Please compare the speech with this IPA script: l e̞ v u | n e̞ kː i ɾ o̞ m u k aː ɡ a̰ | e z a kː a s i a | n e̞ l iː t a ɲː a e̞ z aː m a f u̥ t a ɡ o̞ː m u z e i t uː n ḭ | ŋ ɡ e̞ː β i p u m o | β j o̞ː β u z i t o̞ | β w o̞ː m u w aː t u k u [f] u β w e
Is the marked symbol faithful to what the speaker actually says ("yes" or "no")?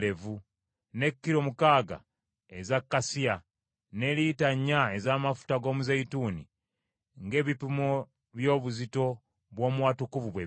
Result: no